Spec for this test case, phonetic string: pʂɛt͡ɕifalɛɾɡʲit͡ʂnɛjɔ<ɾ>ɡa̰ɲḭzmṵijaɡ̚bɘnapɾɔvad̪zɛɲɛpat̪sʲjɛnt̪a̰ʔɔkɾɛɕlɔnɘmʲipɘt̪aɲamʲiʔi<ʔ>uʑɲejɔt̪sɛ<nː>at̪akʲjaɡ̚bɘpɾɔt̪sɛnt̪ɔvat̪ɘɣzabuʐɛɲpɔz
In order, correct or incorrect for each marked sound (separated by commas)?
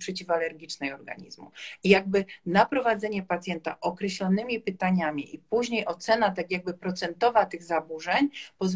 correct, incorrect, incorrect